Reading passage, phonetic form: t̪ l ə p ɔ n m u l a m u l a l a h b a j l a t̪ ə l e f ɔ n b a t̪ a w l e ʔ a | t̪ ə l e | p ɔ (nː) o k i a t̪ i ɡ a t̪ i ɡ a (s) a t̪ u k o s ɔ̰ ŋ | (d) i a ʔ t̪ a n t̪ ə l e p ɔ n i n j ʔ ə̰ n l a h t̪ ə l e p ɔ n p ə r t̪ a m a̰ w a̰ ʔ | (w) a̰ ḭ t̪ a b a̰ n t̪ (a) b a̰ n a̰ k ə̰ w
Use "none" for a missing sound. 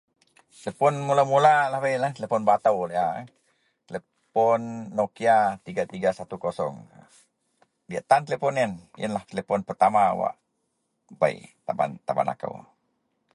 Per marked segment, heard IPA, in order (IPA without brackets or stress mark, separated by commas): nː, s, d, b, a